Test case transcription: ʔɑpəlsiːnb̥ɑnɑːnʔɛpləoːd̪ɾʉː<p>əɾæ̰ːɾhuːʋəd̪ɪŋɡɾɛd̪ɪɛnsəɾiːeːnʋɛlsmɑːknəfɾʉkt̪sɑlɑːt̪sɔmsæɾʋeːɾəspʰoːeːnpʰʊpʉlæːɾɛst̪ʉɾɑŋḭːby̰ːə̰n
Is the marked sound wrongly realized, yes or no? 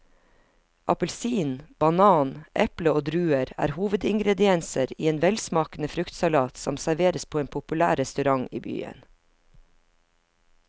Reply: yes